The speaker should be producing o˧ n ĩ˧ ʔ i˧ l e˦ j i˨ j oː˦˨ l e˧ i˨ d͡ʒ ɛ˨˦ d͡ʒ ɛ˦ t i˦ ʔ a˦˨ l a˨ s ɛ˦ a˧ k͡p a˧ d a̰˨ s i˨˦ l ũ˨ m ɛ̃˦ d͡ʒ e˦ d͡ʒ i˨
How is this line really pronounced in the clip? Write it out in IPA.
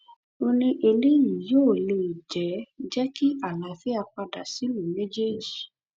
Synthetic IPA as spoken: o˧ n ĩ˧ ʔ e˧ l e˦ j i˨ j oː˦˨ l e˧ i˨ d͡ʒ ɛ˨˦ d͡ʒ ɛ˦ k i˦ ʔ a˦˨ l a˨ f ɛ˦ a˧ k͡p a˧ d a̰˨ s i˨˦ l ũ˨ m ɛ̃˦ d͡ʒ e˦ d͡ʒ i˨